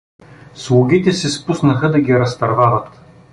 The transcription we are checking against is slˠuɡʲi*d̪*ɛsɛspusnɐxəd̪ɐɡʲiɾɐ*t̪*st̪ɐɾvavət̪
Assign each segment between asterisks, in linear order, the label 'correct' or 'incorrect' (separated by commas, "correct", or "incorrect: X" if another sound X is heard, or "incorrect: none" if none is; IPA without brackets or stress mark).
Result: incorrect: t̪, incorrect: none